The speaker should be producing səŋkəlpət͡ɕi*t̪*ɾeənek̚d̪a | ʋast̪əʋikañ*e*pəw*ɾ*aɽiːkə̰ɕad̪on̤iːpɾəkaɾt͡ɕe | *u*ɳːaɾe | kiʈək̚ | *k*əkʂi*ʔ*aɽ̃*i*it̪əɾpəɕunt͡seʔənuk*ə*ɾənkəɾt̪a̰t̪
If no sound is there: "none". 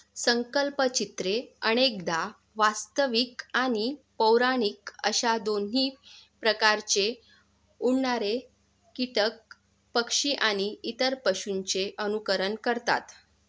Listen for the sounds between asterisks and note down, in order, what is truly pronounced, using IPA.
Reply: t̪, i, ɾ, u, p, ʔ, i, ə

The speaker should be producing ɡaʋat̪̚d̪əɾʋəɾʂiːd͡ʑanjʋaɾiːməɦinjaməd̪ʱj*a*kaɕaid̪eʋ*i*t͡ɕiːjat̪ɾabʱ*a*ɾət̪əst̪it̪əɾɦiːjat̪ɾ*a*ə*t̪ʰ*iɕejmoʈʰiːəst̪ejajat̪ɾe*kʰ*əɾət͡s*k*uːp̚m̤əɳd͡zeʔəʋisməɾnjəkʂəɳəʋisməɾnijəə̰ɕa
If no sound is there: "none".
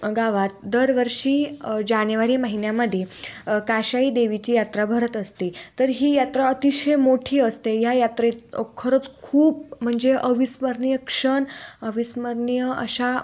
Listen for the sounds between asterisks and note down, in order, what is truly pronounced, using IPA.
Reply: e, i, ə, a, t̪, kʰ, kʰ

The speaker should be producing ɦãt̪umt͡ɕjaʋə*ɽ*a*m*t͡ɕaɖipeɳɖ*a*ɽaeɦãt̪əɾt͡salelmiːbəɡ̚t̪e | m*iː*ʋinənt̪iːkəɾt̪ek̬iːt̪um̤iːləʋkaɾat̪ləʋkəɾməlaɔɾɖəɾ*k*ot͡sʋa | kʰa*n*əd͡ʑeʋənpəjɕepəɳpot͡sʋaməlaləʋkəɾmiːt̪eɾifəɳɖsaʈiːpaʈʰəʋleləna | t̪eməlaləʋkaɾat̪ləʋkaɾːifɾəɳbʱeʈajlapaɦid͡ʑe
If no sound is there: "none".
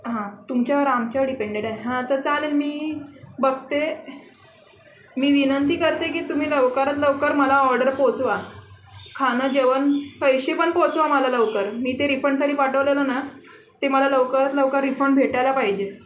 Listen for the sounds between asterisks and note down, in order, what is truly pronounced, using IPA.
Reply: ɾ, m, e, iː, p, n

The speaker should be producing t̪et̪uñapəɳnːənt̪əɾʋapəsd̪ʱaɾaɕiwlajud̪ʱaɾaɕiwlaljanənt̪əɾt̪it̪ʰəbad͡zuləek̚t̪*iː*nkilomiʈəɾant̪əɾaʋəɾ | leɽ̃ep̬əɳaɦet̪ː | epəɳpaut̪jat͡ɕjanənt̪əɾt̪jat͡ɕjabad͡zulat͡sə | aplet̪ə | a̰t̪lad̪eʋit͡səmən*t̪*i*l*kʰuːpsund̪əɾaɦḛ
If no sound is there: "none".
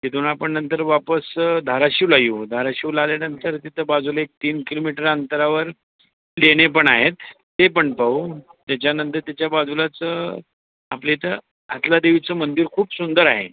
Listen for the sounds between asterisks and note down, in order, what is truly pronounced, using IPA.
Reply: iː, d̪, ɾ

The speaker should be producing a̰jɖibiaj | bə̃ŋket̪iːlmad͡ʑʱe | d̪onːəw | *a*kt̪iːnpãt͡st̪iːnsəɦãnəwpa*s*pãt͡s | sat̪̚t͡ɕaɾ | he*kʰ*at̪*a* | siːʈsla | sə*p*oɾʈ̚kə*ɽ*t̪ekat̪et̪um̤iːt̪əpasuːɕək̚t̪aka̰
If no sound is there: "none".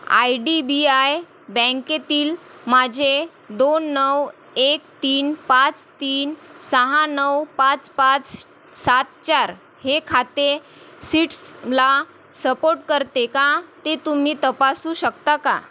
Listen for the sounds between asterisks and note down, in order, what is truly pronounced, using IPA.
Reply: e, t͡s, kʰ, e, p, ɾ

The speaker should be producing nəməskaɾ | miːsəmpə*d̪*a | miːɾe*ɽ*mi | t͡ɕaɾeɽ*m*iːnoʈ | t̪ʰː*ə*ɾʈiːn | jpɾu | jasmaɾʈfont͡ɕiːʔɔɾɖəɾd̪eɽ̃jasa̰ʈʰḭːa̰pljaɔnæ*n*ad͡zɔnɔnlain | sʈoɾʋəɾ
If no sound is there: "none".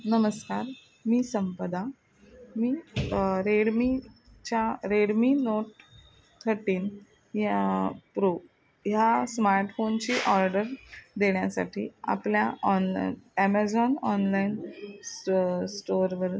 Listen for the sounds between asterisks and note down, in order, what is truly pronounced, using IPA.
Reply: d̪, ɽ, m, ə, m

